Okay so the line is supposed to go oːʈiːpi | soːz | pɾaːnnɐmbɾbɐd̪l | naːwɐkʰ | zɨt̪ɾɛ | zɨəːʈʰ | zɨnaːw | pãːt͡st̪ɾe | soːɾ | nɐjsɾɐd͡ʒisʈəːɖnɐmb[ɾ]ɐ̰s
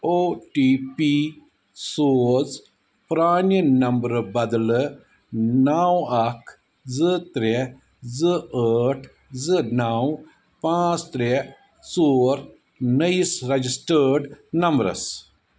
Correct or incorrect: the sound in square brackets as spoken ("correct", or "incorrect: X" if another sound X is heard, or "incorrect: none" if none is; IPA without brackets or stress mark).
correct